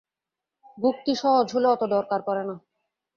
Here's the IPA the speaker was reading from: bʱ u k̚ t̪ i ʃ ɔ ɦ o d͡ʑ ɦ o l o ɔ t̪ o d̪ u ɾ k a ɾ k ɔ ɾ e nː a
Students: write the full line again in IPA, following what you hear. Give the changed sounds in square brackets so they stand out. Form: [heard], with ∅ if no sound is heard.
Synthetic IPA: bʱ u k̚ t̪ i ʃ ɔ ɦ o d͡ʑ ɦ o l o ɔ t̪ o d̪ [ɔ] ɾ k a ɾ k ɔ ɾ e [n] a

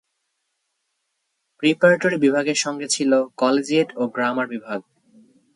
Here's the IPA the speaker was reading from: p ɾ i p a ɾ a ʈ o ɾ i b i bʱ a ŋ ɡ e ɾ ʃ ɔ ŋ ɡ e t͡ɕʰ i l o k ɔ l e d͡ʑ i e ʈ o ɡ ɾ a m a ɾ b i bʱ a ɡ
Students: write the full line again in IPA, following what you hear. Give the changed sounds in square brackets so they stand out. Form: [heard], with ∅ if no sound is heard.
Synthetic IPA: p ɾ i p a ɾ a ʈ o ɾ i b i bʱ a [∅] ɡ e ɾ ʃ ɔ ŋ ɡ e t͡ɕʰ i l o k ɔ l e d͡ʑ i e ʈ o ɡ ɾ a m a ɾ b i bʱ a ɡ

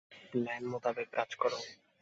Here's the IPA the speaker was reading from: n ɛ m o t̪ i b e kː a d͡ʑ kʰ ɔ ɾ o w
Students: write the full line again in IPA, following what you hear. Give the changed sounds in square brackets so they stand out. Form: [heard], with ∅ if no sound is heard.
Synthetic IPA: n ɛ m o t̪ [a] b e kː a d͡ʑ [k] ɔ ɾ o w

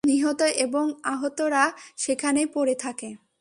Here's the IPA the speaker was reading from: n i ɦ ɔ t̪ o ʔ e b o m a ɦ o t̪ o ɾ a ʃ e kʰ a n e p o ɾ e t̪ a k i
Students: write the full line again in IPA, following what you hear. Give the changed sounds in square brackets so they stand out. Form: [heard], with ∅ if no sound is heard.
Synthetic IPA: n i ɦ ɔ t̪ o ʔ e b o [ŋ] a ɦ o t̪ o ɾ a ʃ e kʰ a n e p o ɾ e [t̪ʰ] a k [e]

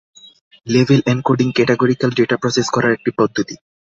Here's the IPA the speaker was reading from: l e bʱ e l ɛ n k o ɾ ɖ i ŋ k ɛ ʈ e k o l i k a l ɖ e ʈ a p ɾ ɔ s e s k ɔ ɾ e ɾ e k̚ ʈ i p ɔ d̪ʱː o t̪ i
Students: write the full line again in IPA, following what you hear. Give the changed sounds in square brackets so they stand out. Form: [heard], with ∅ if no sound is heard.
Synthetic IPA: l e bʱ e l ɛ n k o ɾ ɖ i ŋ k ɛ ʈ e [ɡ] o [ɾ] i k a l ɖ e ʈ a p ɾ ɔ s e s k ɔ ɾ [a] ɾ e k̚ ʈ i p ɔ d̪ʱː o t̪ i

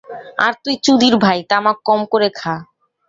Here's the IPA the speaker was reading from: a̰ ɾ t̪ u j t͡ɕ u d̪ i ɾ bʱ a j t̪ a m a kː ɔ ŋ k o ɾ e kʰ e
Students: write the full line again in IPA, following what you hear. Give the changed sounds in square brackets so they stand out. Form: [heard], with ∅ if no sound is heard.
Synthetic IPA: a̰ ɾ t̪ u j t͡ɕ u d̪ i ɾ bʱ a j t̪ a m a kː ɔ [m] k o ɾ e kʰ [a]

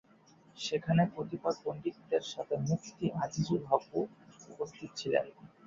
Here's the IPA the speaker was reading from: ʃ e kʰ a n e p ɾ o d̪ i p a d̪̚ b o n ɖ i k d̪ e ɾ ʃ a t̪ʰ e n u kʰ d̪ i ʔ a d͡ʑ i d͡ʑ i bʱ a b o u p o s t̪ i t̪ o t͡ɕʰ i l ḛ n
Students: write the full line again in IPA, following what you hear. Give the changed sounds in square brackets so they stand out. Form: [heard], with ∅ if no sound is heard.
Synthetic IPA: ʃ e kʰ a n e p ɾ o [t̪] i p a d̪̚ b o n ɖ i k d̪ e ɾ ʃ a t̪ʰ e [m] u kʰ [t̪] i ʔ a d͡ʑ i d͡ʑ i bʱ a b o u p o s [t̪ʰ] i t̪ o t͡ɕʰ i l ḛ n

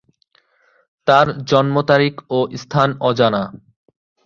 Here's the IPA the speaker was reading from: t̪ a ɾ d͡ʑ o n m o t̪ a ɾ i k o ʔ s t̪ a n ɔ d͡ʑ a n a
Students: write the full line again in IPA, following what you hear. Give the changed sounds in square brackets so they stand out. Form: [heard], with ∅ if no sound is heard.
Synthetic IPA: t̪ a ɾ d͡ʑ [ɔ] n m o t̪ a ɾ i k o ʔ s [t̪ʰ] a n ɔ d͡ʑ a n a

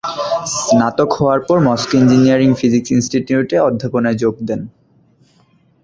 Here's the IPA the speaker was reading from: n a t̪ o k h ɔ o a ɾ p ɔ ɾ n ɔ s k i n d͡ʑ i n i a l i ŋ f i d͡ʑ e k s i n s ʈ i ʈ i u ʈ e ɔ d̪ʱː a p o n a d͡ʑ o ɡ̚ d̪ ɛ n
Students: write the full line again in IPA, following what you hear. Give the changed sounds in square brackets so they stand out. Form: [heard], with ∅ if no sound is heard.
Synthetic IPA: n a t̪ o k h ɔ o a ɾ p ɔ ɾ [m] ɔ s k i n d͡ʑ i n i a [ɾ] i ŋ f i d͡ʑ [i] k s i n s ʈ i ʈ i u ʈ e ɔ d̪ʱː a p o n a d͡ʑ o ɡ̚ d̪ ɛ n

